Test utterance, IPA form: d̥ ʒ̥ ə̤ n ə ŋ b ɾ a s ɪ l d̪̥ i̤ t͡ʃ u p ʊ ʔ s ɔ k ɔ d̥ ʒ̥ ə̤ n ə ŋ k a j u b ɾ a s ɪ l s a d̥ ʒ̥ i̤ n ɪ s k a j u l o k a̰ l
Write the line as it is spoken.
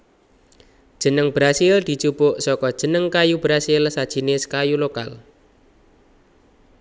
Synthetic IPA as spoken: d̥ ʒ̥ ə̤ n ə ŋ b ɾ a s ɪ l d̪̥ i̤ t͡ʃ u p ʊ ʔ s ɔ k ɔ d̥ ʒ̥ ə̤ n ə ŋ k a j u b ɾ a s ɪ l s a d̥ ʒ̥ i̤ n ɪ s k a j u l o k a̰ l